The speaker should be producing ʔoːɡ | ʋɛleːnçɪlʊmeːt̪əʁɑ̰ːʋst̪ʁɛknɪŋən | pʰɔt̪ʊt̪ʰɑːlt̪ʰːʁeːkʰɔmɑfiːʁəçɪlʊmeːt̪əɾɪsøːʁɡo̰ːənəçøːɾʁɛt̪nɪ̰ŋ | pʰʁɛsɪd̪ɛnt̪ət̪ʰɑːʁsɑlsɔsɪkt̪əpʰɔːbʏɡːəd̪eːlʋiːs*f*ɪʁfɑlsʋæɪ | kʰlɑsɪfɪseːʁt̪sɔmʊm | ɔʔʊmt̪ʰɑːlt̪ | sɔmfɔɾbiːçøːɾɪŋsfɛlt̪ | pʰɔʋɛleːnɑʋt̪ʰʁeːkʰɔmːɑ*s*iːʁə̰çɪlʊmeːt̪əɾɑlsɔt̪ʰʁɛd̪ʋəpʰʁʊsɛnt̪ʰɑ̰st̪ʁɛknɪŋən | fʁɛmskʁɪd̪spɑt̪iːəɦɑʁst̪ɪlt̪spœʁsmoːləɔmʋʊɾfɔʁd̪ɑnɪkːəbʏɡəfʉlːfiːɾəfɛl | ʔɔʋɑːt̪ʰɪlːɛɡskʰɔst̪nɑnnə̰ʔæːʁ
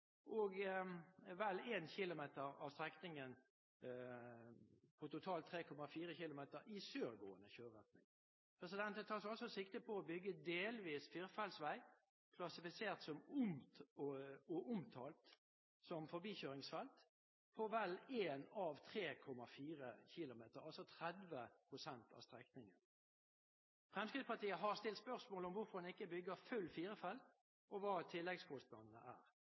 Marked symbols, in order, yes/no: yes, no

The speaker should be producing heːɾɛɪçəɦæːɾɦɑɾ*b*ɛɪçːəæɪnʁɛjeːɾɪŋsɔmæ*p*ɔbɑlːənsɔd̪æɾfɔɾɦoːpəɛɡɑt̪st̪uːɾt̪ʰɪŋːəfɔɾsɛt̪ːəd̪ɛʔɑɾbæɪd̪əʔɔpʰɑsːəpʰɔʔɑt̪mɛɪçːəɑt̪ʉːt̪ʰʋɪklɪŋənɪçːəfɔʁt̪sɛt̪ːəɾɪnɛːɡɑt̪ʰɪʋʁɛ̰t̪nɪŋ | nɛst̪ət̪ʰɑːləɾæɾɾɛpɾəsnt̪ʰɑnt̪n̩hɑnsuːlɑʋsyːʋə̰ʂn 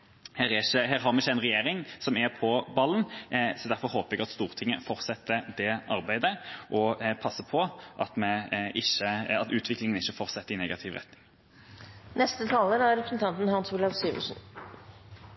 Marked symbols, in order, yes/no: no, no

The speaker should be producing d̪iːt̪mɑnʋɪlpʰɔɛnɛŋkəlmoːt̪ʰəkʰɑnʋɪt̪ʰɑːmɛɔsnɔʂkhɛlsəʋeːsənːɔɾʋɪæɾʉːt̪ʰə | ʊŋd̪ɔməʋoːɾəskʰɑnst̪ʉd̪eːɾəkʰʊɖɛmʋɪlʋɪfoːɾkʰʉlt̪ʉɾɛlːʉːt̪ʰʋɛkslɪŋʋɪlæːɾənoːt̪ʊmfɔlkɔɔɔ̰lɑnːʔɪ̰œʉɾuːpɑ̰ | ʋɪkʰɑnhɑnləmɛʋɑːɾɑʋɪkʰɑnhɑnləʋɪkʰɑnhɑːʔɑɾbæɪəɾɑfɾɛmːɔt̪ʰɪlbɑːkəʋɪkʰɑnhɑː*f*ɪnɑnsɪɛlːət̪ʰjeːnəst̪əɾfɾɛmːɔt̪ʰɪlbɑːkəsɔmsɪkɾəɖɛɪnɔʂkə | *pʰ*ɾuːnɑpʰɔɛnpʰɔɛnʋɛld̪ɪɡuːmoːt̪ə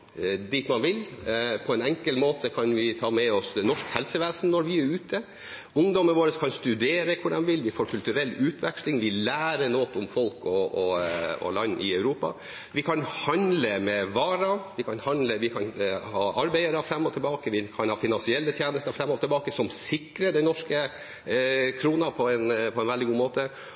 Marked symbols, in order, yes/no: yes, no

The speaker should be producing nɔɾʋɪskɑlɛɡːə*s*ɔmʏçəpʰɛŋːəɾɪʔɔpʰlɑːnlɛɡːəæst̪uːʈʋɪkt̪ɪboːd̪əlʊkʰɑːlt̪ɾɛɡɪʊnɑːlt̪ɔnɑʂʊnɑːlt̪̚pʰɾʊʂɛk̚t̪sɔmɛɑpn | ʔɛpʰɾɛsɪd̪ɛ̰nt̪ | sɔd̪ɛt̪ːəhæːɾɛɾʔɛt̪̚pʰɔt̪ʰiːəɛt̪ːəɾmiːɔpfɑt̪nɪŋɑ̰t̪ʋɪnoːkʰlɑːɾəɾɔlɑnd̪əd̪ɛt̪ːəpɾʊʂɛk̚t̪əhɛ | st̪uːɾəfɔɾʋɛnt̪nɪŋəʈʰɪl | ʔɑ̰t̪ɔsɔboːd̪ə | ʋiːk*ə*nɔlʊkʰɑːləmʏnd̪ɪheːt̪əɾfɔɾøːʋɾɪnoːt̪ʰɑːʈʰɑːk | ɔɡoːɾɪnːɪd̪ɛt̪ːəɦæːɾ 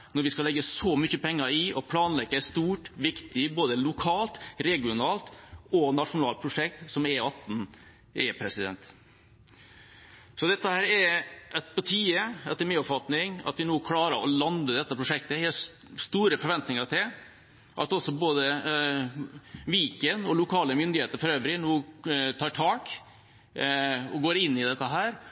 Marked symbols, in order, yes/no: yes, yes

